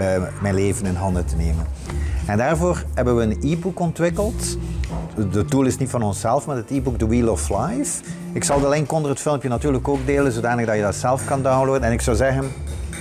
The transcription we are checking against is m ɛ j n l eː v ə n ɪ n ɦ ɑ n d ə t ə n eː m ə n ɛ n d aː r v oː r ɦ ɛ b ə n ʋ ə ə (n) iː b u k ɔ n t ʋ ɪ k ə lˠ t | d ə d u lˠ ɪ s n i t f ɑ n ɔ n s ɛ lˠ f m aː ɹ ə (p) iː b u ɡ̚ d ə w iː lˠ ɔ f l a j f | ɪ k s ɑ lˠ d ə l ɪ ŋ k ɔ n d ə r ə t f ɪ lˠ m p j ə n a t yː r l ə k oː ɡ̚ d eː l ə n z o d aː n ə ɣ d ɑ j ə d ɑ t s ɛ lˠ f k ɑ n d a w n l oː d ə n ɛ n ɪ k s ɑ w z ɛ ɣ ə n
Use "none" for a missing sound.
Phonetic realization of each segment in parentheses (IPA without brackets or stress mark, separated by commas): n, t